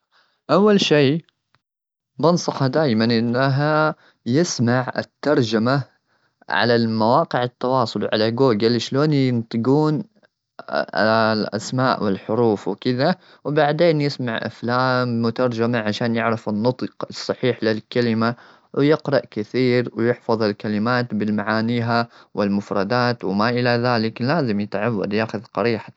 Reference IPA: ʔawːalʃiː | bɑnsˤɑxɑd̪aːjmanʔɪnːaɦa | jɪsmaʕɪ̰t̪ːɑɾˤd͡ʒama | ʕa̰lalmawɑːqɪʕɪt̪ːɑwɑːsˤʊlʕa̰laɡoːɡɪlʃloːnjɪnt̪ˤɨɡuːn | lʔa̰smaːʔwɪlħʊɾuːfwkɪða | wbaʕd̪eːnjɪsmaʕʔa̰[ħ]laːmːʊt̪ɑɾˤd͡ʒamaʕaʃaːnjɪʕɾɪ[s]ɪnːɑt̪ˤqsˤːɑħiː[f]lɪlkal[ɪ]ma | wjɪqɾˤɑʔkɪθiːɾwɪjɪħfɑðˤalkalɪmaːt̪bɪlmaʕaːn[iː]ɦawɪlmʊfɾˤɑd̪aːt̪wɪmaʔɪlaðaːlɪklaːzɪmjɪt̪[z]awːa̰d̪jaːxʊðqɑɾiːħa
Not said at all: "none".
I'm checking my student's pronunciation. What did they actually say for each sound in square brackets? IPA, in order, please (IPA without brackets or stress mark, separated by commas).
f, f, ħ, ɪ, iː, ʕ